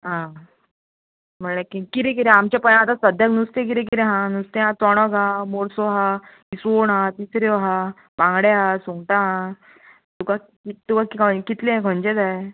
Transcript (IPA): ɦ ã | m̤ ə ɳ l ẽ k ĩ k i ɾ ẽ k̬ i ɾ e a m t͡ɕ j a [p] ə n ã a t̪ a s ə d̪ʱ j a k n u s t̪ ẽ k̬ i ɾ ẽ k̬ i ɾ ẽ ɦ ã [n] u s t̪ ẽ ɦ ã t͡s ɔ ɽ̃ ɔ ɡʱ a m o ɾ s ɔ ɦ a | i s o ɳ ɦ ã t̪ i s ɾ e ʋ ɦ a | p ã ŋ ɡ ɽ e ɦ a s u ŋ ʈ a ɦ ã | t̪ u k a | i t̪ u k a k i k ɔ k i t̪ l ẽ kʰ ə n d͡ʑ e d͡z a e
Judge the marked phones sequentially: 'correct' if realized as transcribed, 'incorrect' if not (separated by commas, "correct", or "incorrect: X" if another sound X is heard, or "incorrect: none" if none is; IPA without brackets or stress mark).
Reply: correct, correct